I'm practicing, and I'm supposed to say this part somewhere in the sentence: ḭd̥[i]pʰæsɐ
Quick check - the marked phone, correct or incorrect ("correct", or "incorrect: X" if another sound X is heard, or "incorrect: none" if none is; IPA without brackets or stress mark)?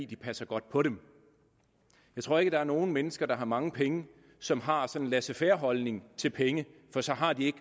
correct